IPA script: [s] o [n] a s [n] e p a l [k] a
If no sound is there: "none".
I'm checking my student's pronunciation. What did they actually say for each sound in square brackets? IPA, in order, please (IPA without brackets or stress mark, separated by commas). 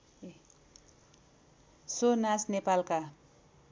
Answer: s, n, n, k